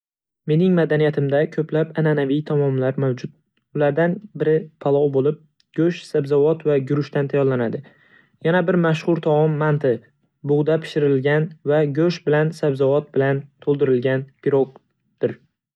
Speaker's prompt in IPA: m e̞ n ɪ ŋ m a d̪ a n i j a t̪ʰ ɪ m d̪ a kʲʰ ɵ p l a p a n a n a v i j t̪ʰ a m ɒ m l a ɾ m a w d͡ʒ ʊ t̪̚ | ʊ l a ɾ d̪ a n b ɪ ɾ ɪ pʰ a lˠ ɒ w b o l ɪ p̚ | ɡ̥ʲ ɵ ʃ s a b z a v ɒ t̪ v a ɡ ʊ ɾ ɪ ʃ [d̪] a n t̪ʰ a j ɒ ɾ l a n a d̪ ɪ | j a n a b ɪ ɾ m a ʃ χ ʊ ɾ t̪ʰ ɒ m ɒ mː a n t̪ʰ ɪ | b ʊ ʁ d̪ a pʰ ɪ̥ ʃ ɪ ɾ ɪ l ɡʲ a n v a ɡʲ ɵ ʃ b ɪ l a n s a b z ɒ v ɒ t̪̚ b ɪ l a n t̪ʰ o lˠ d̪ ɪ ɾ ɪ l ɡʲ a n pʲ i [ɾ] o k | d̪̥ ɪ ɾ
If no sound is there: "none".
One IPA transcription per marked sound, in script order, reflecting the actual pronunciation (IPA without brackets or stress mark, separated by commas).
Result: t̪, ɾ